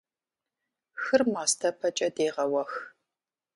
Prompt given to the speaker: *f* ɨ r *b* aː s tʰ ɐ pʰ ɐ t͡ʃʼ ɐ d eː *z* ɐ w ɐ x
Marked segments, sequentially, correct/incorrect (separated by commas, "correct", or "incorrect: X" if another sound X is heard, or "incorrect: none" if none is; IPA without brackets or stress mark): incorrect: x, incorrect: m, incorrect: ʁ